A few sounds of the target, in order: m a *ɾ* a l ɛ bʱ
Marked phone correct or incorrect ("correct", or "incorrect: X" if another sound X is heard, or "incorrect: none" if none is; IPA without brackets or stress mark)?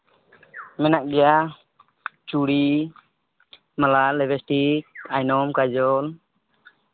incorrect: l